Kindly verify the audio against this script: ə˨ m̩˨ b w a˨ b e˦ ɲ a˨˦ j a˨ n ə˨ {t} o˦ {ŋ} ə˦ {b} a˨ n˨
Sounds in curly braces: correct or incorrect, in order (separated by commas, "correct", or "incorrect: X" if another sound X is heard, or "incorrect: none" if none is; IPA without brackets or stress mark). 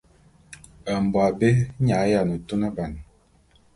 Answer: correct, incorrect: n, correct